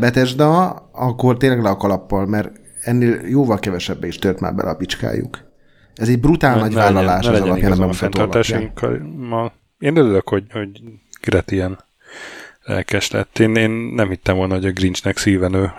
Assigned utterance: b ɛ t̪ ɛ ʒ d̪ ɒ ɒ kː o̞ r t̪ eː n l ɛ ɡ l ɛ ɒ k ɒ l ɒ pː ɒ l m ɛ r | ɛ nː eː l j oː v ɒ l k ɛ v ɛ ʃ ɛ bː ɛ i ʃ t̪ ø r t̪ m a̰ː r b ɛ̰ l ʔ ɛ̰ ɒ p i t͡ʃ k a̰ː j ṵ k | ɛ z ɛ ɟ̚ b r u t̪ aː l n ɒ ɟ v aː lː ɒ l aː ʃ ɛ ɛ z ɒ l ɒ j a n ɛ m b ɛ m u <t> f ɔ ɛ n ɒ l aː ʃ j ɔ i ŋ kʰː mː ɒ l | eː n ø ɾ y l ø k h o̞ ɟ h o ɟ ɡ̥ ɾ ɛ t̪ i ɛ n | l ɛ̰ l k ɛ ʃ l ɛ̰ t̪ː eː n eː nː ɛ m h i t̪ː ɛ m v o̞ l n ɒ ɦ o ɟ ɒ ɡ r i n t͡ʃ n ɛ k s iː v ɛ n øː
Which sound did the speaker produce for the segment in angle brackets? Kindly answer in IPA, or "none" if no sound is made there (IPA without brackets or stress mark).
t